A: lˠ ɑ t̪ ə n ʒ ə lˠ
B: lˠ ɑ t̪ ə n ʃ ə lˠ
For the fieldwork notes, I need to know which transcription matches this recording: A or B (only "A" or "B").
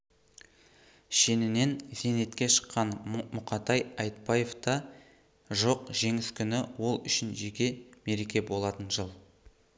A